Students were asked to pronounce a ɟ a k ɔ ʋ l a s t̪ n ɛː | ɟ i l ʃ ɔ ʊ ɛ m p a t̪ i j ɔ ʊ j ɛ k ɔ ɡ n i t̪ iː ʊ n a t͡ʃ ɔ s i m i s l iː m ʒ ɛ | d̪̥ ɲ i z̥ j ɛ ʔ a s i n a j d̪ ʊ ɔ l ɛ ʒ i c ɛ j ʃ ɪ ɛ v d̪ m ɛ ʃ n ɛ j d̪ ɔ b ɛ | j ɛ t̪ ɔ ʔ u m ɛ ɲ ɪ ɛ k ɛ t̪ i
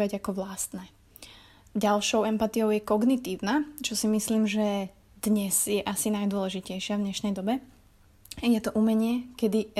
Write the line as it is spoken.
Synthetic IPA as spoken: a ɟ a k ɔ ʋ l a s t̪ n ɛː | ɟ a l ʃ ɔ ʊ ɛ m p a t̪ i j ɔ ʊ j ɛ k ɔ ɡ n i t̪ iː ʊ n a t͡ʃ ɔ s i m i s l iː m ʒ ɛ | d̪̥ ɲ ɛ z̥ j ɛ ʔ a s i n a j d̪ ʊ ɔ l ɛ ʒ i c ɛ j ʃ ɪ a v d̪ ɲ ɛ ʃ n ɛ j d̪ ɔ b ɛ | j ɛ t̪ ɔ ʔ u m ɛ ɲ ɪ ɛ k ɛ d̪ i